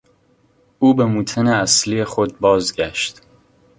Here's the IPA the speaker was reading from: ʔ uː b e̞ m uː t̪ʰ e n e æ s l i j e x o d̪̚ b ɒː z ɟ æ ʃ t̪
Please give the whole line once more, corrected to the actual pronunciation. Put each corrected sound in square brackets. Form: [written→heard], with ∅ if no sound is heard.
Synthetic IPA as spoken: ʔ uː b e̞ m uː t̪ʰ e n e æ s l i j e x o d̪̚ b ɒː z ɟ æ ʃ t̪